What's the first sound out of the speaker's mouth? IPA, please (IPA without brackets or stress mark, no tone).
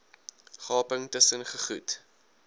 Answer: χ